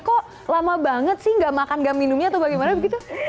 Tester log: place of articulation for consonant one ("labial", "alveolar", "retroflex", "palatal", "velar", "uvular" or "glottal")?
velar